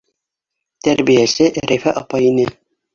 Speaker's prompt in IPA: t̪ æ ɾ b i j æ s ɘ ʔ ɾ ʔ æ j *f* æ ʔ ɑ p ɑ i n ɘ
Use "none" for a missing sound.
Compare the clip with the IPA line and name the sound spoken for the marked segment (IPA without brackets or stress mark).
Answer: f